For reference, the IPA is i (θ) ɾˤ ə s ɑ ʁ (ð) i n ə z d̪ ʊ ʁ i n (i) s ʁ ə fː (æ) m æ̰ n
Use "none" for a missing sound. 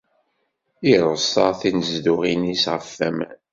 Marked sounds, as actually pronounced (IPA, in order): none, θ, i, æ

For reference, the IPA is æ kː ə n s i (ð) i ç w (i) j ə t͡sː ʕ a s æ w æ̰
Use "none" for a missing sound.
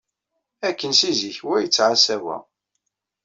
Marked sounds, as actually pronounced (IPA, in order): z, æ

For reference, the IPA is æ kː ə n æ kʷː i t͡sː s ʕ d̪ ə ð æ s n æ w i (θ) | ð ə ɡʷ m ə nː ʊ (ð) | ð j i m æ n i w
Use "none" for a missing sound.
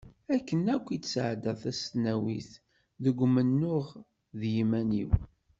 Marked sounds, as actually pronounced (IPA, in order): θ, ʁ

